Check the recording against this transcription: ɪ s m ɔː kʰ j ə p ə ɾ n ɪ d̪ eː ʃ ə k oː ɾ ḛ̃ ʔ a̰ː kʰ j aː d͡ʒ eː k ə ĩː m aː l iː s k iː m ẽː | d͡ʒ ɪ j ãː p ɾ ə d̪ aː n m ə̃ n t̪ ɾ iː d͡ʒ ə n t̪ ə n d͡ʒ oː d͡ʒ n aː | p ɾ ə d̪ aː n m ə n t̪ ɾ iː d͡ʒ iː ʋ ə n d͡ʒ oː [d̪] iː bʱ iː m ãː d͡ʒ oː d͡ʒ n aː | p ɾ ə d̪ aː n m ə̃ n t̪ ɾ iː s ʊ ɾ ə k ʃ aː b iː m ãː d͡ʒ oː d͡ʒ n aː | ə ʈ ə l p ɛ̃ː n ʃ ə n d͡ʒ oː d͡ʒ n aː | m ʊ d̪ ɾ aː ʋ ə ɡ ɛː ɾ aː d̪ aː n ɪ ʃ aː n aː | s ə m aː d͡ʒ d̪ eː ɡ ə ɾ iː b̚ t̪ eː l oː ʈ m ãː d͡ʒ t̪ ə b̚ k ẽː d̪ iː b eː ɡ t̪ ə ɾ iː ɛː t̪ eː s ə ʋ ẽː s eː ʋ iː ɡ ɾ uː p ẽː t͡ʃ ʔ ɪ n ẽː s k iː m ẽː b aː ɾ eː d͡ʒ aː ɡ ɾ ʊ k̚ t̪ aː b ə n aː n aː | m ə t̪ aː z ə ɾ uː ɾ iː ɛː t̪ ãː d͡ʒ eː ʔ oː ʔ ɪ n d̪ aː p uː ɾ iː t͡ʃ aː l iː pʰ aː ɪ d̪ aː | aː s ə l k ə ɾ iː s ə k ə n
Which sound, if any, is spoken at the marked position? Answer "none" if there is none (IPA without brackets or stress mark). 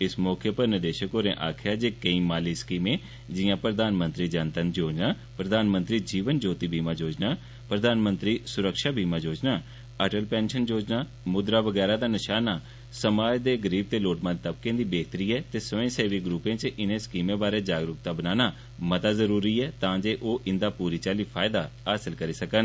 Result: t̪